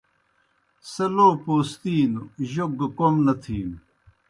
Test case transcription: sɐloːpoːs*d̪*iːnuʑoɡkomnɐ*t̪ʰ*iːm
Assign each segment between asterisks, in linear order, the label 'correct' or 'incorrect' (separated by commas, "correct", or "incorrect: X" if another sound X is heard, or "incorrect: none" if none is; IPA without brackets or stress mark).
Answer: incorrect: t̪, correct